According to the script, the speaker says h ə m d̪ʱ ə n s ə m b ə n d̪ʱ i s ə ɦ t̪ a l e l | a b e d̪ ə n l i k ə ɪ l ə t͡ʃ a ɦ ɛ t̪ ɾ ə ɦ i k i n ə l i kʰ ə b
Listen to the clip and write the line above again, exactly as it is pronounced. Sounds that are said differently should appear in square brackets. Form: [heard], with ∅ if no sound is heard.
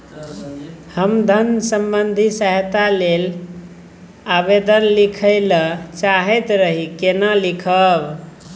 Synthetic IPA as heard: h ə m d̪ʱ ə n s ə m b ə n d̪ʱ i s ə ɦ t̪ a l e l | a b e d̪ ə n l i [kʰ] ə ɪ l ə t͡ʃ a ɦ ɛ t̪ ɾ ə ɦ i k [e] n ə l i kʰ ə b